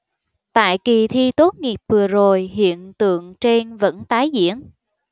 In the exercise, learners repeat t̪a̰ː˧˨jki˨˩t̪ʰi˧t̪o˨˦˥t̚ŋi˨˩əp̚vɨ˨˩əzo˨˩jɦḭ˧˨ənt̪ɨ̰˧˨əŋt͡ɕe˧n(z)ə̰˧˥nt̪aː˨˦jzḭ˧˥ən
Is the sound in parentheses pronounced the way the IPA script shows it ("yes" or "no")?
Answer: no